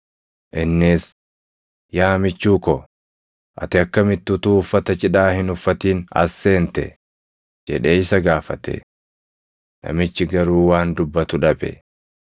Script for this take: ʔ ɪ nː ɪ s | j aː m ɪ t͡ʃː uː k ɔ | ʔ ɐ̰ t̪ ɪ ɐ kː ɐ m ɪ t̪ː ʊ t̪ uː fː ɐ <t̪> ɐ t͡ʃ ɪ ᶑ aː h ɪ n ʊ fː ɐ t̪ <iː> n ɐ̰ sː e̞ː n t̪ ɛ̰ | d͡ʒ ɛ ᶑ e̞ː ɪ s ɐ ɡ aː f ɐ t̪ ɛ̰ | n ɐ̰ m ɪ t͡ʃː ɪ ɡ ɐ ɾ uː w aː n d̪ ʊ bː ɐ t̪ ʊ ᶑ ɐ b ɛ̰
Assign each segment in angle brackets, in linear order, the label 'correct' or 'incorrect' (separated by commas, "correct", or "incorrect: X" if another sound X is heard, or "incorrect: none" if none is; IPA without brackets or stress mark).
correct, correct